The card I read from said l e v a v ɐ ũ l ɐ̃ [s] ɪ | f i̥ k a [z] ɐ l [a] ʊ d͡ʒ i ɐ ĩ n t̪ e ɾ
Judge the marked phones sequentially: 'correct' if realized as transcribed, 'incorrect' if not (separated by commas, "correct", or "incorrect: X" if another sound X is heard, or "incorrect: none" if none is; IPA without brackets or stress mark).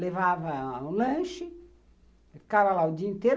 incorrect: ʃ, incorrect: v, correct